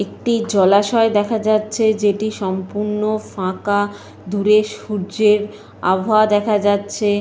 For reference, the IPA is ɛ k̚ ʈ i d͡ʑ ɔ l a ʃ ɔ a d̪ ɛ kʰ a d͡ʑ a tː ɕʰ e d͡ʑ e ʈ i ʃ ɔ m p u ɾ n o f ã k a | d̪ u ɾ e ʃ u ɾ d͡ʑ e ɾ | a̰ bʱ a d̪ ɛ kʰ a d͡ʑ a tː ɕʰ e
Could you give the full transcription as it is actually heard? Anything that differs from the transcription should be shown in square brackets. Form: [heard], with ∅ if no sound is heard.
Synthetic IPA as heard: [e] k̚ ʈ i d͡ʑ ɔ l a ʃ ɔ [e] d̪ ɛ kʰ a d͡ʑ a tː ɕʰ e d͡ʑ e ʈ i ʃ ɔ m p u ɾ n o f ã k a | d̪ u ɾ e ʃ u ɾ d͡ʑ e ɾ | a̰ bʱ a d̪ ɛ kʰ a d͡ʑ a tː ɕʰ e